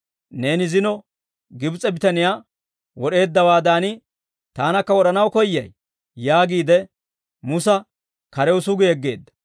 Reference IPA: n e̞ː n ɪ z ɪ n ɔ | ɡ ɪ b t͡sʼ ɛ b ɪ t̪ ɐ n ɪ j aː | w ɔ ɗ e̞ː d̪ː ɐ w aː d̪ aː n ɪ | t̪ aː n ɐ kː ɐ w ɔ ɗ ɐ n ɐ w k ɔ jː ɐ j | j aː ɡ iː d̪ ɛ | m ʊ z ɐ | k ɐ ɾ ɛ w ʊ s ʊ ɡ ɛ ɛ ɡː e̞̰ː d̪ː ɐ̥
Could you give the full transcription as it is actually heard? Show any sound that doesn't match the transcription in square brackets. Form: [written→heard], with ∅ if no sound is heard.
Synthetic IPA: n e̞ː n ɪ z ɪ n ɔ | ɡ ɪ b t͡sʼ ɛ b ɪ t̪ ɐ n ɪ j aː | w ɔ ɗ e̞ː d̪ː ɐ w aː d̪ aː n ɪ | t̪ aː n ɐ kː ɐ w ɔ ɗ ɐ n ɐ w k ɔ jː ɐ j | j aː ɡ iː d̪ ɛ | m ʊ [z→s] ɐ | k ɐ ɾ ɛ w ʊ s ʊ ɡ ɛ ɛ ɡː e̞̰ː d̪ː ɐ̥